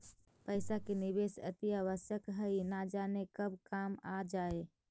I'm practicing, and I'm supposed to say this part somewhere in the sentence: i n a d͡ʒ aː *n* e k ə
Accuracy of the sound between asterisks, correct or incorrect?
correct